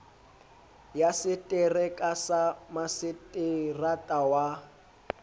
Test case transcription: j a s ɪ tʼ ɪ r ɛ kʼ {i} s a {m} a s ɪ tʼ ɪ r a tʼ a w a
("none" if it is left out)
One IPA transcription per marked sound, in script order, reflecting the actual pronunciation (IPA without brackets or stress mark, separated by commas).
a, m